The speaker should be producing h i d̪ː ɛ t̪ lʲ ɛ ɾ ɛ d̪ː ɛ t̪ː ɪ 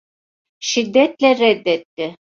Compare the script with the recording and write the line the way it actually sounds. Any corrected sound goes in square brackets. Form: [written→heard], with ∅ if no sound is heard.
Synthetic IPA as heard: [h→ʃ] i d̪ː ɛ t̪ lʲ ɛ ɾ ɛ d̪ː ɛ t̪ː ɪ